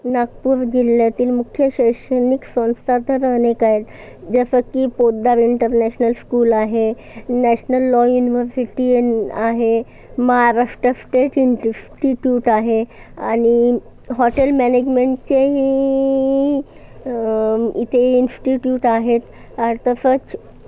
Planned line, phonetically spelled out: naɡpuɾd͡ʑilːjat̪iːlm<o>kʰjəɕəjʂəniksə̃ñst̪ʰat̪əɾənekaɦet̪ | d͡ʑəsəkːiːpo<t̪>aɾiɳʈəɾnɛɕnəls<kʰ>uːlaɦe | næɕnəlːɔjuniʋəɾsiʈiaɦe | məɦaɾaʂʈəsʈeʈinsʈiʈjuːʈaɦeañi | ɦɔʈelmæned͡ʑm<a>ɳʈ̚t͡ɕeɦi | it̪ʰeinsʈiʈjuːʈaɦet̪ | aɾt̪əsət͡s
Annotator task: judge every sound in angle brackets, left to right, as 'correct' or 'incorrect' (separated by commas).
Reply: incorrect, incorrect, incorrect, incorrect